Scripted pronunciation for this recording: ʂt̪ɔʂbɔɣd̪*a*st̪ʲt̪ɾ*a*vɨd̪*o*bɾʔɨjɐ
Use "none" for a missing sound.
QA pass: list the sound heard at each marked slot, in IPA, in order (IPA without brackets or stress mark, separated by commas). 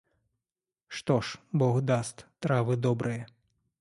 a, a, ɔ